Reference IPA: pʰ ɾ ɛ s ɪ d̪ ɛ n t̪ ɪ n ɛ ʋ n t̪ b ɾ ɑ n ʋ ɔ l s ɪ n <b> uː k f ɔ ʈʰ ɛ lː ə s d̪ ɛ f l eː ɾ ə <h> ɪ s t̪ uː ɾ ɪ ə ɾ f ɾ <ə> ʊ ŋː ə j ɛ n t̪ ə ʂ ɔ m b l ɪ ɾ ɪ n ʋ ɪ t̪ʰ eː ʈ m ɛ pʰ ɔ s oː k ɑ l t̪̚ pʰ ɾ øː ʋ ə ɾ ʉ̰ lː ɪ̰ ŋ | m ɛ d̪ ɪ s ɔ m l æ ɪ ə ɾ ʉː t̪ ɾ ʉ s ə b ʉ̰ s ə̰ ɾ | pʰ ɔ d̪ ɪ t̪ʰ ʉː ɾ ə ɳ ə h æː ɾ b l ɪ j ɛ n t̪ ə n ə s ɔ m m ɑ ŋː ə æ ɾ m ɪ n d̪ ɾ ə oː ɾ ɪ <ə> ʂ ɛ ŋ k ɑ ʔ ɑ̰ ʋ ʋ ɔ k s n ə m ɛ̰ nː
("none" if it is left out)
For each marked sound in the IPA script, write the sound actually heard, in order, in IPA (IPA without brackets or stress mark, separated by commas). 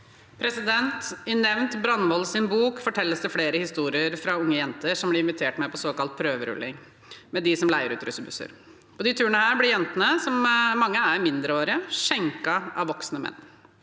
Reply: b, h, ɑ, ə